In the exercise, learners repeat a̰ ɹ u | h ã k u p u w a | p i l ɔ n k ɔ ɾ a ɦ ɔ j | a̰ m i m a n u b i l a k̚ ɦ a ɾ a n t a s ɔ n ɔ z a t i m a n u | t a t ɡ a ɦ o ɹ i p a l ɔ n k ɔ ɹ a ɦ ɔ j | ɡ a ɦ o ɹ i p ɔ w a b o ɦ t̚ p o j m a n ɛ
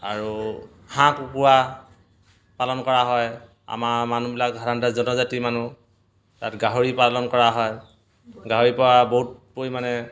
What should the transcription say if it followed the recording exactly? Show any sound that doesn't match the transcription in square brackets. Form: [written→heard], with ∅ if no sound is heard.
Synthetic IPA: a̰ ɹ u | h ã k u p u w a | p [i→a] l ɔ n k ɔ [ɾ→ɹ] a ɦ ɔ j | a̰ m [i→a] m a n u b i l a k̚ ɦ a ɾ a n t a [s→z] ɔ n ɔ z a t i m a n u | t a t ɡ a ɦ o ɹ i p a l ɔ n k ɔ ɹ a ɦ ɔ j | ɡ a ɦ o ɹ i p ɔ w a b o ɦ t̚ p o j m a n ɛ